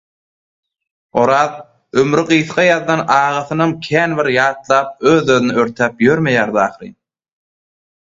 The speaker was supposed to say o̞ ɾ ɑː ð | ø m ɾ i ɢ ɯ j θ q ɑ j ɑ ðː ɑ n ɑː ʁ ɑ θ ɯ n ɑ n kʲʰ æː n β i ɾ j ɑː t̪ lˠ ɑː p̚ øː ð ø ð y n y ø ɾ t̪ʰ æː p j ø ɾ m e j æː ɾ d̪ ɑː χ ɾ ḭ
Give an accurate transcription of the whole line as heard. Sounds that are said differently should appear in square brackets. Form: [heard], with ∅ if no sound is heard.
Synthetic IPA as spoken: o̞ ɾ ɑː ð | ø m ɾ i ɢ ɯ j θ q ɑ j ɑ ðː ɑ n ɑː ʁ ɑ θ ɯ n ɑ [m] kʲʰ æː n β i ɾ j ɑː t̪ lˠ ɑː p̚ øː ð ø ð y n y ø ɾ t̪ʰ æː p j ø ɾ m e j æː ɾ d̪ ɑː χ ɾ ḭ